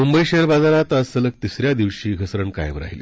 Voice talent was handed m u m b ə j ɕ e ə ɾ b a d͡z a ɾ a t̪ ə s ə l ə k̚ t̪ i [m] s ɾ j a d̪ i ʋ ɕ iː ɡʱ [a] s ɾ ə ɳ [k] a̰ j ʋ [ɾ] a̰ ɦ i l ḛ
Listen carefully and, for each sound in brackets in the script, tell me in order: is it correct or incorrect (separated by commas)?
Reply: incorrect, incorrect, correct, correct